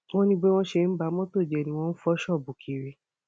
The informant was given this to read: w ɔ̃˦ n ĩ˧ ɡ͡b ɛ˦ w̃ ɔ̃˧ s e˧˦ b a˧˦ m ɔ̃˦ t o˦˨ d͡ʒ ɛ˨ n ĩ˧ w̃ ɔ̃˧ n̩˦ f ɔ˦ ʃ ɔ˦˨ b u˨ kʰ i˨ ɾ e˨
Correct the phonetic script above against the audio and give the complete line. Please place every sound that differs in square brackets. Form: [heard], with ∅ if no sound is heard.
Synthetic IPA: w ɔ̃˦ n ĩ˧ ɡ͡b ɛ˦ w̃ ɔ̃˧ [ʃ] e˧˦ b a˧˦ m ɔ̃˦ t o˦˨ d͡ʒ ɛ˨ n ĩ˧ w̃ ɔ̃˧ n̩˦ f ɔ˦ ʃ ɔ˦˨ b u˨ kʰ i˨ ɾ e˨